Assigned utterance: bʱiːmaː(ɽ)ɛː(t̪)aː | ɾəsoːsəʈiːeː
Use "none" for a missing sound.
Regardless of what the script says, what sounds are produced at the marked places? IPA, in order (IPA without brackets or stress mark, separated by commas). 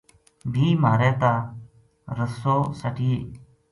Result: ɾ, t̪